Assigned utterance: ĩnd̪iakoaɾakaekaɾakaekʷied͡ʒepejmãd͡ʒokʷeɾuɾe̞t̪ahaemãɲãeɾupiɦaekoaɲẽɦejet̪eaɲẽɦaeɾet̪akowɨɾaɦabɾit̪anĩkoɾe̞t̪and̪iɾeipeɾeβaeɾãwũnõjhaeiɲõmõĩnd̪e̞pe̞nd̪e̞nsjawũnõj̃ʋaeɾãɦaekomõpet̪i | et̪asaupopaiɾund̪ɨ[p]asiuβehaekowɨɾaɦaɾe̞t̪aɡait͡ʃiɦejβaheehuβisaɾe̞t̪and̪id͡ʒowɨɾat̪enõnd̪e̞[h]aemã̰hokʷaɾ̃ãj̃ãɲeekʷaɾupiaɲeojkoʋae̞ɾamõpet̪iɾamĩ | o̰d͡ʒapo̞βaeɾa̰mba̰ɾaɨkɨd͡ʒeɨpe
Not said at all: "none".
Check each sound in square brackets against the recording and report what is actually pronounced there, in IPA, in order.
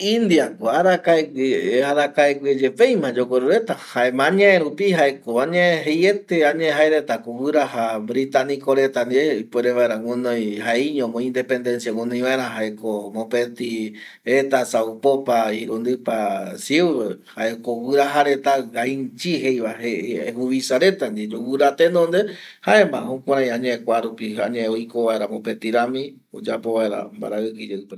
p, h

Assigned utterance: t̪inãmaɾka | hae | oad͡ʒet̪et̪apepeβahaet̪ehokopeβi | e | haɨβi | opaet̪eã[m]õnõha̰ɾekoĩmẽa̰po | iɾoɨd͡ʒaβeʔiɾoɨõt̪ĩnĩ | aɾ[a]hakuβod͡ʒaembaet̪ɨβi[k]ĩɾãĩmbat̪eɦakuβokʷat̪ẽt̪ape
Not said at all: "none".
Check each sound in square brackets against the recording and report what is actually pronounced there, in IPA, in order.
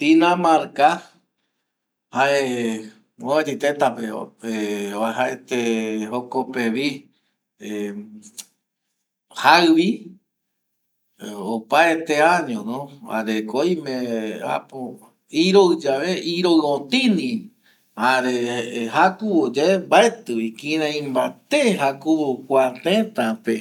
ɲ, e, k

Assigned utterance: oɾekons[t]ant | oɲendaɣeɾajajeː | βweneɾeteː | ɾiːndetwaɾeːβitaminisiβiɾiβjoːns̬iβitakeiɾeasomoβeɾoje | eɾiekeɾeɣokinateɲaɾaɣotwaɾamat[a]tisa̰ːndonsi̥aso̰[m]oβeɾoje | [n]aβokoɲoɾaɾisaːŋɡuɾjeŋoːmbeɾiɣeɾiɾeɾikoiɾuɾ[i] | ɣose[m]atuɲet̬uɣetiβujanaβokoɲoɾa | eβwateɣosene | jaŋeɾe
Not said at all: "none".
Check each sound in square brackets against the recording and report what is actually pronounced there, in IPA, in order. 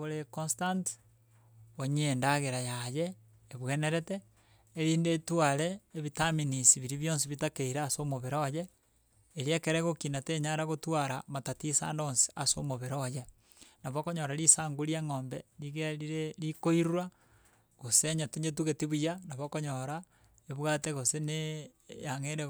t, a, m, n, a, ɲ

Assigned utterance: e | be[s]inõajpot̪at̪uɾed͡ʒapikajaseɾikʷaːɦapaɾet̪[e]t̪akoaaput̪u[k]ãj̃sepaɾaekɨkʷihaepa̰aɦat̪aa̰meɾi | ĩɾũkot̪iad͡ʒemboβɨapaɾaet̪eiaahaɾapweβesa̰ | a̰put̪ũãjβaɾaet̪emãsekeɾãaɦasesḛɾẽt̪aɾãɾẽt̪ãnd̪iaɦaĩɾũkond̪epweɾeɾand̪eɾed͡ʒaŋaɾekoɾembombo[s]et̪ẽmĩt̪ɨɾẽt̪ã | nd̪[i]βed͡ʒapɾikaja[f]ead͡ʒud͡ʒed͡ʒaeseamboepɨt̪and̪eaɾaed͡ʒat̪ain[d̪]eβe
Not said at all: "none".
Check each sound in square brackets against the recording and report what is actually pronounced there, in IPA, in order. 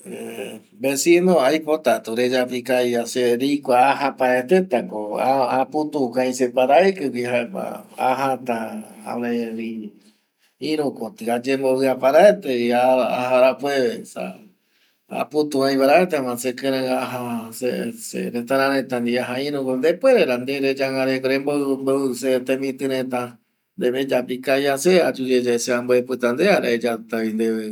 s, e, k, s, e, s, d̪

